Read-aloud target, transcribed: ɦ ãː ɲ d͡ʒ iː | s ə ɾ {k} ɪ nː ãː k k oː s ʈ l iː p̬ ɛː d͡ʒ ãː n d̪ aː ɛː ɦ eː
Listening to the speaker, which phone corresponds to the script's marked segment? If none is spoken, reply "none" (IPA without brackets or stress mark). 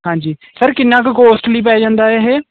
k